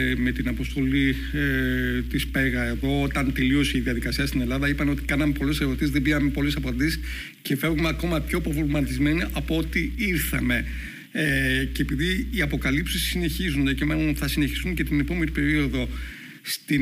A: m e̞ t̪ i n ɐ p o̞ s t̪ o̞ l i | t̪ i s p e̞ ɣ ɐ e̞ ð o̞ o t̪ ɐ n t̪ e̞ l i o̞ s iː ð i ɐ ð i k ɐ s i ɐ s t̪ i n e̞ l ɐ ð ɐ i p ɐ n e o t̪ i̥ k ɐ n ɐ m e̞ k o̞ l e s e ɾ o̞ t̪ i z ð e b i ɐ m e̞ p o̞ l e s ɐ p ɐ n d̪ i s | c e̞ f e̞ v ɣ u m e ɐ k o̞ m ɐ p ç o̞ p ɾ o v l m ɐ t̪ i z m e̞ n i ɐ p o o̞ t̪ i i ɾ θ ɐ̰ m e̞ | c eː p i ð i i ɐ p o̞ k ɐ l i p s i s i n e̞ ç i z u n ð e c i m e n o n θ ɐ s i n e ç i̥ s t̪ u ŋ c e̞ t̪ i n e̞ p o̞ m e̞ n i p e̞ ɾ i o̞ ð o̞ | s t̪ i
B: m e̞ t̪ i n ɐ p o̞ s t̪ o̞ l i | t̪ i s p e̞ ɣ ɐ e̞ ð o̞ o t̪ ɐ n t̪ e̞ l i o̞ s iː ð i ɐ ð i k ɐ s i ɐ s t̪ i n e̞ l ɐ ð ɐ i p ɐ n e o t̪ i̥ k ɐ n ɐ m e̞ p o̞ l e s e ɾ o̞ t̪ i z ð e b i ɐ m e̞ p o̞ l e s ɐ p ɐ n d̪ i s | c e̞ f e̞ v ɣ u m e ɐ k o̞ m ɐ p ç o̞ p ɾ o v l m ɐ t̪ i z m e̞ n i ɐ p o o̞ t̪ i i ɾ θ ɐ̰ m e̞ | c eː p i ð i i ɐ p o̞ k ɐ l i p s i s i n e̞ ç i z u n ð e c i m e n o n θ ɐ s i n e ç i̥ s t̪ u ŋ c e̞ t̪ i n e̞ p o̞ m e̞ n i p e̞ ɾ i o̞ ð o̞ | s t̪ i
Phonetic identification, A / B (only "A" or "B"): B